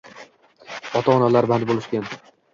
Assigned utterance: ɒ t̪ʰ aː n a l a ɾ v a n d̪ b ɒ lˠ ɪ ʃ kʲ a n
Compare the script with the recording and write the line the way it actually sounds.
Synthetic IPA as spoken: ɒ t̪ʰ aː n a l a ɾ b a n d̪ b o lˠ ɪ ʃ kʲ a n